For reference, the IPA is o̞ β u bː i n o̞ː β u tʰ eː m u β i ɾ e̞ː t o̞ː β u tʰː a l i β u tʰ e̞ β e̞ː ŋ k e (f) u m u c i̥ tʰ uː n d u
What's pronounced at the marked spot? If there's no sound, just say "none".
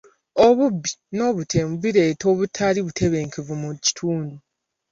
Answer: v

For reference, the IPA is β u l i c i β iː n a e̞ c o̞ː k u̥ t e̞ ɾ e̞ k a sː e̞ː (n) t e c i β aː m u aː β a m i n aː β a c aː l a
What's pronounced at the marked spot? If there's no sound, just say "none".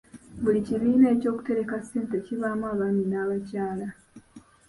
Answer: n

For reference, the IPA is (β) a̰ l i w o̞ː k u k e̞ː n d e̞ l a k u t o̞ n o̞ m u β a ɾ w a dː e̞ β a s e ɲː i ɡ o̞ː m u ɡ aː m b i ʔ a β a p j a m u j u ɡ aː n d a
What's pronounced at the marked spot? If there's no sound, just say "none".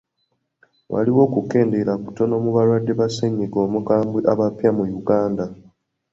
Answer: w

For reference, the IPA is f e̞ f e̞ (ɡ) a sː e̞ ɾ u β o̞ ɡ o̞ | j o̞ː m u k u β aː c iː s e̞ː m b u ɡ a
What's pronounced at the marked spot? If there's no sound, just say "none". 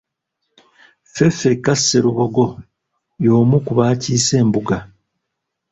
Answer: k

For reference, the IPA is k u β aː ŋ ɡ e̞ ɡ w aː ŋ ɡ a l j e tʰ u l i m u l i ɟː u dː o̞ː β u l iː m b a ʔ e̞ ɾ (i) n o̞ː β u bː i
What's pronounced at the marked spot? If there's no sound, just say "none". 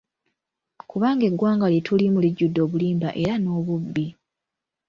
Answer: a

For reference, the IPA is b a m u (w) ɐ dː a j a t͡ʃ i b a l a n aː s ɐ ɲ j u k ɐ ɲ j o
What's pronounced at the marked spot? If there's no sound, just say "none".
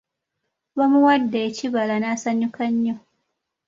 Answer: w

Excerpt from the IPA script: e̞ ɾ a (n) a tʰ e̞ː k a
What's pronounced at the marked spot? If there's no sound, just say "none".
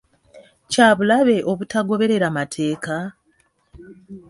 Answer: m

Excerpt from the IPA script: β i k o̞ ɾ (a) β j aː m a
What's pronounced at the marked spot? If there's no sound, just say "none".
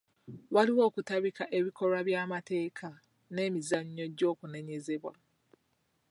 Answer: a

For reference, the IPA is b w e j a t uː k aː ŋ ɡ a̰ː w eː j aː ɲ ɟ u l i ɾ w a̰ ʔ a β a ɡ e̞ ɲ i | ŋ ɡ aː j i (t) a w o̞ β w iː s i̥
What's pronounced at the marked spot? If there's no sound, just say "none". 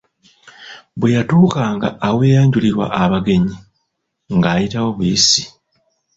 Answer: t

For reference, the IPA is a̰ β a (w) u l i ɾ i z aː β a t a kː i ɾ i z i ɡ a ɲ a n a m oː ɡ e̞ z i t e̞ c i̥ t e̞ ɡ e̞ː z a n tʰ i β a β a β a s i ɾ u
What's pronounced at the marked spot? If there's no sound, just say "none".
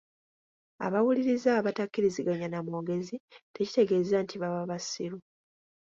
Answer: w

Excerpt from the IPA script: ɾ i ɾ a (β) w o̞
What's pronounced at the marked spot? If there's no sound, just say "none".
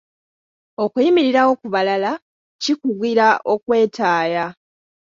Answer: none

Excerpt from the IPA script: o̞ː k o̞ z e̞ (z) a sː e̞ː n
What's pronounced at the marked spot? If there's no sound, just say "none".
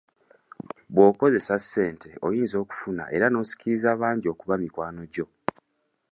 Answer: s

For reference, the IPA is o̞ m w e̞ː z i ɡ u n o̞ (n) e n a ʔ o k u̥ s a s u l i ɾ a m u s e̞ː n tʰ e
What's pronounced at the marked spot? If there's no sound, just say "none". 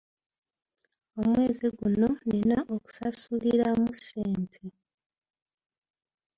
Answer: n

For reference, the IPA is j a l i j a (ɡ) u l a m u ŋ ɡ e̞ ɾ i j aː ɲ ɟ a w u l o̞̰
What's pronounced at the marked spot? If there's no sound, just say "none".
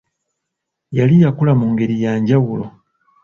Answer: k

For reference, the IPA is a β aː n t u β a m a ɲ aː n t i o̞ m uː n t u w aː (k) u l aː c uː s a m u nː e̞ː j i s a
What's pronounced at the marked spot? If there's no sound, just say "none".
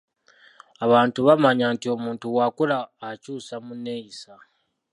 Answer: k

